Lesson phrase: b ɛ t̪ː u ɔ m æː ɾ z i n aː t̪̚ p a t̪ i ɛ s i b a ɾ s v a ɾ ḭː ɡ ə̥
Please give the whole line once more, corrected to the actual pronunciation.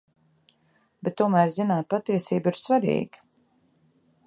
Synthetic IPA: b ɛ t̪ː u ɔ m æː ɾ z i n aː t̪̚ p a t̪ i ɛ s iː b i ɾ s v a ɾ ḭː ɡ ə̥